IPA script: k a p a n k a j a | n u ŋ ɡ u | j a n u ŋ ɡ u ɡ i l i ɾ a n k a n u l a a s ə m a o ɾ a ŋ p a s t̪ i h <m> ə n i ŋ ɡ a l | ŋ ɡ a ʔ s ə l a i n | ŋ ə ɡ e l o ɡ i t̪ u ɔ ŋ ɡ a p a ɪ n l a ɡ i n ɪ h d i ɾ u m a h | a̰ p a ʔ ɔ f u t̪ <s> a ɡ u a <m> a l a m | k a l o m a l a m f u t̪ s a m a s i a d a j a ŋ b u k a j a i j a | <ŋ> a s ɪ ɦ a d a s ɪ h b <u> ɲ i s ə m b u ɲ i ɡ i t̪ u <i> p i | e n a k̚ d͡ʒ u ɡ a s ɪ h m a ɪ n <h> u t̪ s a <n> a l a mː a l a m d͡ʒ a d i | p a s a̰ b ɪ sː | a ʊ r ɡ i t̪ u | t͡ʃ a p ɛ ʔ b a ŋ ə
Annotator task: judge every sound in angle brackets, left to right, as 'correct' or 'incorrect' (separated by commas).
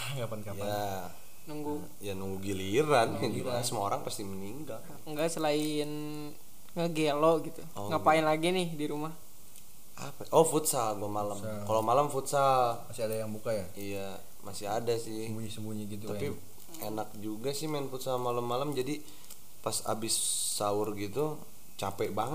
correct, correct, correct, incorrect, correct, incorrect, incorrect, incorrect